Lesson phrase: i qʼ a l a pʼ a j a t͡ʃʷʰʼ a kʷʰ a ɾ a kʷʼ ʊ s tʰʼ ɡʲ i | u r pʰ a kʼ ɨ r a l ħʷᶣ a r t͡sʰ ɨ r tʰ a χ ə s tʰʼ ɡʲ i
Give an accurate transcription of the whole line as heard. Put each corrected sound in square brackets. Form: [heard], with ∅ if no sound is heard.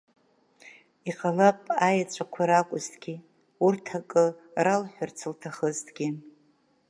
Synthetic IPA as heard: i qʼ a l a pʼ a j a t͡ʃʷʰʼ a kʷʰ a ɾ a kʷʼ ʊ [z] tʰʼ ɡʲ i | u r [tʰ] a kʼ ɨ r a l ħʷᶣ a r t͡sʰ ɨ [l] tʰ a χ ə [z] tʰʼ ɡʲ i